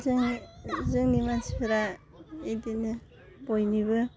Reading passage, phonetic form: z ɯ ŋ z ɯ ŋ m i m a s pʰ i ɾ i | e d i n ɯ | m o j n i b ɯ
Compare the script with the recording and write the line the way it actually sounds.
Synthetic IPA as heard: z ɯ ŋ z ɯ ŋ n i m a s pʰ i ɾ a | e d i n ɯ | b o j n i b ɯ